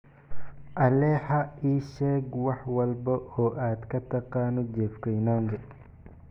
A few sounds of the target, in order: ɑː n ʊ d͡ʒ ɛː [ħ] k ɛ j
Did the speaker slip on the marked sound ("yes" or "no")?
yes